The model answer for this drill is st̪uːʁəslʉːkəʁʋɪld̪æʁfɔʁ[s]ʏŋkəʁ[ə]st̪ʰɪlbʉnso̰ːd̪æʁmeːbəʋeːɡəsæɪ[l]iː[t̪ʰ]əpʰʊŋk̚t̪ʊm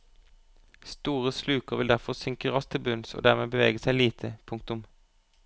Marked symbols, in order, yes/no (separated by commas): yes, no, yes, yes